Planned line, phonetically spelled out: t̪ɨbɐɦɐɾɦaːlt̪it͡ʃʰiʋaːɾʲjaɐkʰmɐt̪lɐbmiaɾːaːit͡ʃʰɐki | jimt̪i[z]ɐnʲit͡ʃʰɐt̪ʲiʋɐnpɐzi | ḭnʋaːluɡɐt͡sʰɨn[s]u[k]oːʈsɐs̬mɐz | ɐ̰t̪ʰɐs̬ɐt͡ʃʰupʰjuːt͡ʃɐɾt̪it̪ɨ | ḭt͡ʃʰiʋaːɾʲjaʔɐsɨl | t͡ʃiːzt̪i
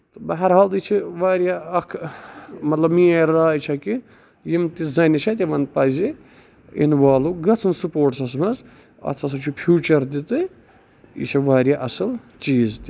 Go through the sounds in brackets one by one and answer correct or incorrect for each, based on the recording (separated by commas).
correct, correct, incorrect